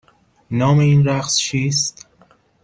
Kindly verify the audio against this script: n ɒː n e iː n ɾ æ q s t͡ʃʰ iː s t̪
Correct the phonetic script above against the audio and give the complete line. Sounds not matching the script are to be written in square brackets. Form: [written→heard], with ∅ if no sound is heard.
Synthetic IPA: n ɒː [n→m] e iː n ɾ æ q s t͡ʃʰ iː s t̪